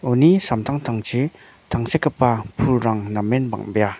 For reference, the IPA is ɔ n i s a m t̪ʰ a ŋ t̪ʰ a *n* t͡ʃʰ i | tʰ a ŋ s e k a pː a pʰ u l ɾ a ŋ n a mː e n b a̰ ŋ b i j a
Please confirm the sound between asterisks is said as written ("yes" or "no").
no